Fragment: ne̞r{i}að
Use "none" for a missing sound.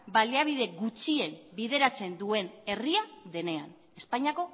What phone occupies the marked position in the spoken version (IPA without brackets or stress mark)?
i